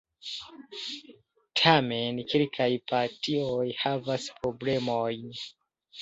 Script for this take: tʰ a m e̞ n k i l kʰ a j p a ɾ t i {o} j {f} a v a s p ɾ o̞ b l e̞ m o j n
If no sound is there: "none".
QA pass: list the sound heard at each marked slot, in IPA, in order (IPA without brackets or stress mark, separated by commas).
o, h